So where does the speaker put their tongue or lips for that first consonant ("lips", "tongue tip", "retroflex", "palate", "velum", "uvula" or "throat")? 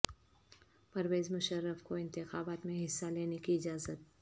lips